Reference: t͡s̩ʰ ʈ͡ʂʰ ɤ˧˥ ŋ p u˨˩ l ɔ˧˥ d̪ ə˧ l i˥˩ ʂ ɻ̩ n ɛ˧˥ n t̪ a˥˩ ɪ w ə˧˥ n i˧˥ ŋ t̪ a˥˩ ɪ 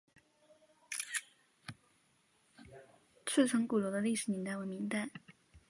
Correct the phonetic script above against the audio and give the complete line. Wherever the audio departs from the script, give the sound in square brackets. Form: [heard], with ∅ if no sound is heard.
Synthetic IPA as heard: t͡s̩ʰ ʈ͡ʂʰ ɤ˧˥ ŋ [k] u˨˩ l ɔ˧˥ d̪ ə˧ l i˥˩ ʂ ɻ̩ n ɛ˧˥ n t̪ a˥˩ ɪ w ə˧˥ [m] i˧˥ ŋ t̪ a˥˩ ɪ